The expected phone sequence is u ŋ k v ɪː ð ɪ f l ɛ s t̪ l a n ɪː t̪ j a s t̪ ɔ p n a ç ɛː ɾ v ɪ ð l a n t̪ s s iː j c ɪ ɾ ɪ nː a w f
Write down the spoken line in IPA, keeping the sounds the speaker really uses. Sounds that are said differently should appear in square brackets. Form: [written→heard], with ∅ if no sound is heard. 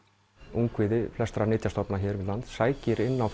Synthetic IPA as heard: u ŋ k v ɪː ð ɪ f l ɛ s t̪ [l→ɾ] a n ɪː t̪ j a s t̪ ɔ p n a ç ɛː ɾ v ɪ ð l a n t̪ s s [iː→aː] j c ɪ ɾ ɪ nː a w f